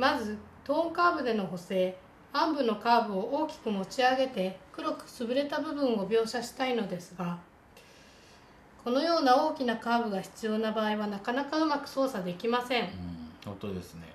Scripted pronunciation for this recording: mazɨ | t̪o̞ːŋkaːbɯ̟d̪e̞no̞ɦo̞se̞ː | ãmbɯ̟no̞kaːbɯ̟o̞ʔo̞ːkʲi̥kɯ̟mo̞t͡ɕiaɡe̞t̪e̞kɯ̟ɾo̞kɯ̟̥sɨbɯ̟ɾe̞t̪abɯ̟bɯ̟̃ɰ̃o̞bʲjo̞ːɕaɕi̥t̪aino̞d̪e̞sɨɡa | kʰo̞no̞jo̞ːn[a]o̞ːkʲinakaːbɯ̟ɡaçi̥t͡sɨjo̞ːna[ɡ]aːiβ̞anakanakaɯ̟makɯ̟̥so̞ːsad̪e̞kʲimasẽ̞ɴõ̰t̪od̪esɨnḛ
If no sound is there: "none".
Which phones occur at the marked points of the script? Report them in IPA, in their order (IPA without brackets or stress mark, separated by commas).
a, b